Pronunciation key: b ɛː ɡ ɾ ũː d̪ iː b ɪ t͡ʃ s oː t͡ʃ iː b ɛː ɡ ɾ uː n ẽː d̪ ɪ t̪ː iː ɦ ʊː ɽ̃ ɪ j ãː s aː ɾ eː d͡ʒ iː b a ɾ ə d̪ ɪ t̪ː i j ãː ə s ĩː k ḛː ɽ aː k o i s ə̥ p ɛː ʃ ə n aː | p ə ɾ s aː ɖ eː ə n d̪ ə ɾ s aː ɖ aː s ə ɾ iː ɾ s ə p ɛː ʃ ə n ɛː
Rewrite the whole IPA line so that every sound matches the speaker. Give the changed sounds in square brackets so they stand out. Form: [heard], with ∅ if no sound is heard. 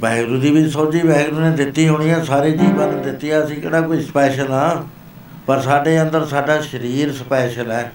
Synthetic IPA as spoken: b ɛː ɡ ɾ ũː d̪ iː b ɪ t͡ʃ s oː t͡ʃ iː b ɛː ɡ ɾ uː n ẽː d̪ ɪ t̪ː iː ɦ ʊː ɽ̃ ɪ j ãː s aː ɾ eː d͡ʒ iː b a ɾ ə d̪ ɪ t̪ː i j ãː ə s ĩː k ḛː ɽ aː k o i s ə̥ p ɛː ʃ ə n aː | p ə ɾ s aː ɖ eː ə n d̪ ə ɾ s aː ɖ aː [ʃ] ə ɾ iː ɾ s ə p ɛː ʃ ə n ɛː